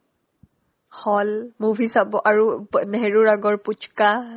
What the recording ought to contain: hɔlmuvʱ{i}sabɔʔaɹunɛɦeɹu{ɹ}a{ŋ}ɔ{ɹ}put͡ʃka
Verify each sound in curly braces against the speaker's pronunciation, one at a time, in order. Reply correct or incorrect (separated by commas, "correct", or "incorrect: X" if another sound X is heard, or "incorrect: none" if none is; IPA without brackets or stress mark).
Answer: correct, correct, incorrect: ɡ, correct